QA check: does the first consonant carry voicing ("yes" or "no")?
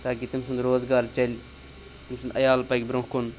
no